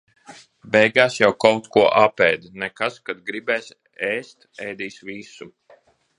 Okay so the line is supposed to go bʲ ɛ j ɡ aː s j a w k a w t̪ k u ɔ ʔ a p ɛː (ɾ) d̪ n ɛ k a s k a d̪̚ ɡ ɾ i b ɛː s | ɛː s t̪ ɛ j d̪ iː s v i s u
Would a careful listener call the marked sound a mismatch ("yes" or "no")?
yes